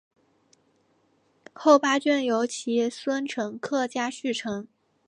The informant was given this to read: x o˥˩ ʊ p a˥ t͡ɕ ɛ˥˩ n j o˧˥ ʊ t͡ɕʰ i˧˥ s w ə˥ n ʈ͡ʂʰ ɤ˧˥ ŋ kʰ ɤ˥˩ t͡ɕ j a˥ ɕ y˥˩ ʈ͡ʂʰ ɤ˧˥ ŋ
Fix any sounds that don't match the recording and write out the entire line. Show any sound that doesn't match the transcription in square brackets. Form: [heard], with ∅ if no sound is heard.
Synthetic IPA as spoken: x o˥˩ ʊ p a˥ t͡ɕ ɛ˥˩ n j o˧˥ ʊ t͡ɕʰ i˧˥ s w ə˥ n ʈ͡ʂʰ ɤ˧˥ ŋ kʰ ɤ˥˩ t͡ɕ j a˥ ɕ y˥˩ ʈ͡ʂʰ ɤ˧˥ ŋ